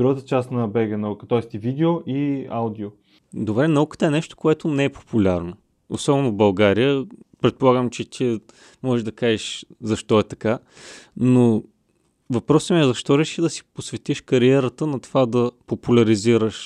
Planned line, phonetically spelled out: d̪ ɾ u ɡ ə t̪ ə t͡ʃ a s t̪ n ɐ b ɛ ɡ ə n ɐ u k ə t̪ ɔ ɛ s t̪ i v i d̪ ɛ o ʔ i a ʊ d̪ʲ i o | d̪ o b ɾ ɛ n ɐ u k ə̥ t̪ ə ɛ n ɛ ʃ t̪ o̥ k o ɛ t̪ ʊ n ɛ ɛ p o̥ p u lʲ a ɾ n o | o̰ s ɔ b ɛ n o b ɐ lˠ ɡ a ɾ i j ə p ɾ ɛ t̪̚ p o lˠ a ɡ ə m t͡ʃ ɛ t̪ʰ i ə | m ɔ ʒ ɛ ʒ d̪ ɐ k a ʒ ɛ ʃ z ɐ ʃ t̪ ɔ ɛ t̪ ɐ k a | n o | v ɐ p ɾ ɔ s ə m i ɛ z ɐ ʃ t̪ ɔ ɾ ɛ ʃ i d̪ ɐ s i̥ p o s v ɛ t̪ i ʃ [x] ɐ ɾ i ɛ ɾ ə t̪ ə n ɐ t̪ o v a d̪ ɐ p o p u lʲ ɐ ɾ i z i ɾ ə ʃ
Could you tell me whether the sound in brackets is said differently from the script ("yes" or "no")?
yes